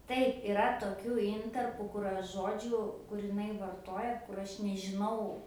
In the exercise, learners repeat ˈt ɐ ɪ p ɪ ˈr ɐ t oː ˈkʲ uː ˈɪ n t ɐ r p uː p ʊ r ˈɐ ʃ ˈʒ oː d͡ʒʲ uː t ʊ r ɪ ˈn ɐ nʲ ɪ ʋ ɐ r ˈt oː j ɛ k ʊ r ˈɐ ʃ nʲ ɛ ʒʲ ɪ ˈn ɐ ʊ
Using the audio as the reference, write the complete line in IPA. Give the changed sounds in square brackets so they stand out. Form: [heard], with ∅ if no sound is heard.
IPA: ˈt ɐ ɪ p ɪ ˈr ɐ t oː ˈkʲ uː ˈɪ n t ɐ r p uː [k] ʊ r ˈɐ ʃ ˈʒ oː d͡ʒʲ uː [k] ʊ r ɪ ˈn ɐ [∅] ɪ ʋ ɐ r ˈt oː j ɛ k ʊ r ˈɐ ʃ nʲ ɛ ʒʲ ɪ ˈn ɐ ʊ